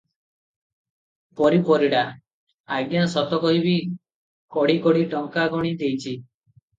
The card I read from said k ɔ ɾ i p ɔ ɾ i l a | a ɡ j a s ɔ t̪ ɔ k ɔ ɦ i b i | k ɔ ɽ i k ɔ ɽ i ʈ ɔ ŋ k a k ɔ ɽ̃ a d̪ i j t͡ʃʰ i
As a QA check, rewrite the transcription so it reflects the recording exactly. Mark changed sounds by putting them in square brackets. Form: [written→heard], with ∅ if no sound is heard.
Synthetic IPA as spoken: [k→p] ɔ ɾ i p ɔ ɾ i [l→ɽ] a | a ɡ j a s ɔ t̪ ɔ k ɔ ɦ i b i | k ɔ ɽ i k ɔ ɽ i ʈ ɔ ŋ k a [k→ɡ] ɔ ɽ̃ [a→i] d̪ [i→e] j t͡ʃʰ i